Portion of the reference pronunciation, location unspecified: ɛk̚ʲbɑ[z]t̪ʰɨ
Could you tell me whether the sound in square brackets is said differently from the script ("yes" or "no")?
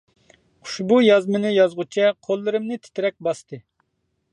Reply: yes